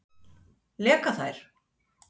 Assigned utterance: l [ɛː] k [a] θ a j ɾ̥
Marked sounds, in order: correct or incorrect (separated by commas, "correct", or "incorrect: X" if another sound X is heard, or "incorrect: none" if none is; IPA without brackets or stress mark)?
correct, correct